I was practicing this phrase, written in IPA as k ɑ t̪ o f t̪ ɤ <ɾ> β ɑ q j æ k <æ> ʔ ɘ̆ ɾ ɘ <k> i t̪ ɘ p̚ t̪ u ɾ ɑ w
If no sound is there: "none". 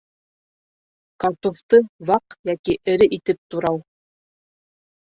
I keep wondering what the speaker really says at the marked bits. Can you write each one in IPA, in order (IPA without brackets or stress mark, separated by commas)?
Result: none, i, ʔ